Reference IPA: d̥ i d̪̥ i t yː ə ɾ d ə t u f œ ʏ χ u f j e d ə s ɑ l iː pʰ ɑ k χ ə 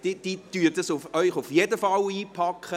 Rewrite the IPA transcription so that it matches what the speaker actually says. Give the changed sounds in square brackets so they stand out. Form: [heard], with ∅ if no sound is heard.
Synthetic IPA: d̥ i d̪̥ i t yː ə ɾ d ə [s] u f œ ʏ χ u f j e d ə [f] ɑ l iː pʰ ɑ k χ ə